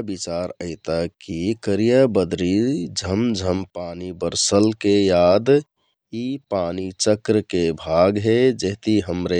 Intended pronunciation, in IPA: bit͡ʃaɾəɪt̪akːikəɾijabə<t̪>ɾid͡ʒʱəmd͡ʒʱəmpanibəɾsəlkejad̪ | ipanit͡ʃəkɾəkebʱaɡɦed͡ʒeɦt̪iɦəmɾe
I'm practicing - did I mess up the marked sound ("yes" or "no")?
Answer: yes